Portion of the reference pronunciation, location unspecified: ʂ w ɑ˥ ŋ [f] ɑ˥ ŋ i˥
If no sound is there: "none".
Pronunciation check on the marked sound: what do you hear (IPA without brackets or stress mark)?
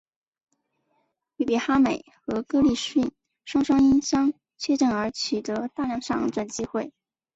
ʂ